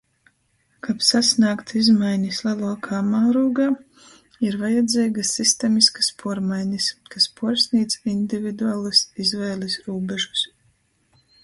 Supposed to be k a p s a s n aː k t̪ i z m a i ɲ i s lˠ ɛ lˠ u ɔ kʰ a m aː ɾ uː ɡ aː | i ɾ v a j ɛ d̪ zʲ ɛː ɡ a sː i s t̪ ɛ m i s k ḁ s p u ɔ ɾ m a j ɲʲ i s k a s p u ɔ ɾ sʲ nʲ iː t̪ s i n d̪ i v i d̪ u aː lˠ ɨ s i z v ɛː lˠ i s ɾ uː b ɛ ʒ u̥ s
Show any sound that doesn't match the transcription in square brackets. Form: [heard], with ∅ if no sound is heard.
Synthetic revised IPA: k a p s a s n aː k t̪ i z m a [j] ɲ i s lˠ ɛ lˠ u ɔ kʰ a m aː ɾ uː ɡ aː | i ɾ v a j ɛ d̪ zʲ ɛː ɡ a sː i s t̪ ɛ m i s k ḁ s p u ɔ ɾ m a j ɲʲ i s k a s p u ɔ ɾ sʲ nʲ iː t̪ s i n d̪ i v i d̪ u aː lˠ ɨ s i z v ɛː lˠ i s ɾ uː b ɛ ʒ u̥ s